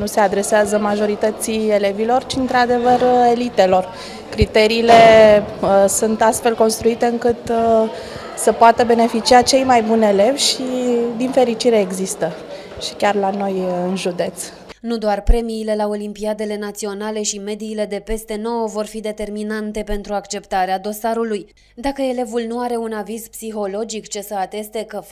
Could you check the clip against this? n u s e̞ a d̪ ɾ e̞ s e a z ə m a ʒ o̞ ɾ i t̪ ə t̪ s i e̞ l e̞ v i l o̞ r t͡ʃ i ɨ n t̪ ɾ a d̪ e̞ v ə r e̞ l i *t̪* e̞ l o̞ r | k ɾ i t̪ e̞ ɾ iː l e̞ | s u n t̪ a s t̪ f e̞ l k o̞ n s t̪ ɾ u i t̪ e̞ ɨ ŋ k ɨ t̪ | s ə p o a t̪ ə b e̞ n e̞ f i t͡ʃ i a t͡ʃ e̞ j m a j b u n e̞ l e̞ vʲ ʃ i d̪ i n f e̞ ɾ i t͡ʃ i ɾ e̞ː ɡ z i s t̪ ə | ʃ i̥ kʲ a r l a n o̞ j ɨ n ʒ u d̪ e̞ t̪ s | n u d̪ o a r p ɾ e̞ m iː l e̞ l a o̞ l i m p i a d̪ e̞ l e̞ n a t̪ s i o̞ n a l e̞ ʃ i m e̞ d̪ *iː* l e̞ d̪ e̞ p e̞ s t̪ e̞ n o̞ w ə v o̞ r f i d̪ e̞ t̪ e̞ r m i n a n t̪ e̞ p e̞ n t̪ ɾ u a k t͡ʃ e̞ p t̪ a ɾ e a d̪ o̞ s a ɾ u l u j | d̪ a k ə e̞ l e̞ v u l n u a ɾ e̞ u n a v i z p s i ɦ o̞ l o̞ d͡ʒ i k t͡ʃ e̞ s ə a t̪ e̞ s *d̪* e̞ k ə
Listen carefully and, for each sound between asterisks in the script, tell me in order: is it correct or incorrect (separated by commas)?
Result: correct, correct, incorrect